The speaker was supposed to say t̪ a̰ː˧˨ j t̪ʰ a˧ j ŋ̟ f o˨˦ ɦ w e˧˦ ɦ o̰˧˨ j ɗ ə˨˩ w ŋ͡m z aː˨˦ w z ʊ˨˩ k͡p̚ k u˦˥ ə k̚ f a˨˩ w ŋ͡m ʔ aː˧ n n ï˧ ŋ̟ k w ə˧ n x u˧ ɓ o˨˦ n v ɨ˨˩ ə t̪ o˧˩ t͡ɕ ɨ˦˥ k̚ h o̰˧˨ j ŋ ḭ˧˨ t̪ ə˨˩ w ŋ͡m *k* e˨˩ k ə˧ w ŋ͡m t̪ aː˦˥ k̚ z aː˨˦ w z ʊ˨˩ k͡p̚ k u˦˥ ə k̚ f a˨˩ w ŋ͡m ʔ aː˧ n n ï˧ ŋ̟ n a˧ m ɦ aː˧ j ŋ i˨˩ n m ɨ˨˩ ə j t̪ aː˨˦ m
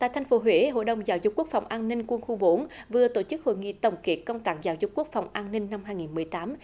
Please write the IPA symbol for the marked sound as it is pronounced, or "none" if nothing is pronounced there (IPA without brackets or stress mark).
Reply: k